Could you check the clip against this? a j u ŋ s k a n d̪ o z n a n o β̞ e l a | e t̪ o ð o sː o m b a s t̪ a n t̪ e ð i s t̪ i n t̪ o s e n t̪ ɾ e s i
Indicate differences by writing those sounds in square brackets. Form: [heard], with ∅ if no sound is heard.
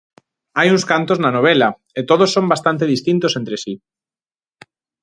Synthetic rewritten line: a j u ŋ s k a n [t̪] o z n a n o β̞ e l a | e t̪ o ð o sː o m b a s t̪ a n t̪ e ð i s t̪ i n t̪ o s e n t̪ ɾ e s i